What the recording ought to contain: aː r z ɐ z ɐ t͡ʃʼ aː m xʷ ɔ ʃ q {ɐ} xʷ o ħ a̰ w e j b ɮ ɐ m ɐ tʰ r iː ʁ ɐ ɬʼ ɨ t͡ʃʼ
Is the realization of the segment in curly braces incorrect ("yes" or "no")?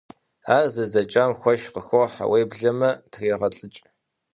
yes